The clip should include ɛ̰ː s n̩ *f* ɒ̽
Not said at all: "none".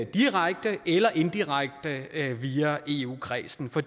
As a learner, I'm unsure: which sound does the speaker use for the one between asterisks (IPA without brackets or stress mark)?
f